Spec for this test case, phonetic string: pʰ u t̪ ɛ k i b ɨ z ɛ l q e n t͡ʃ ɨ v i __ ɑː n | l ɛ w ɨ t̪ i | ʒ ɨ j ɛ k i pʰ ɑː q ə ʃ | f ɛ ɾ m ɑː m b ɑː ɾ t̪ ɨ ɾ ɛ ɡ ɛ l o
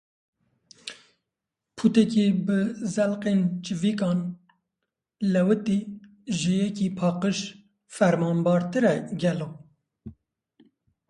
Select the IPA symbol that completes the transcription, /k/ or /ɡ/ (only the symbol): k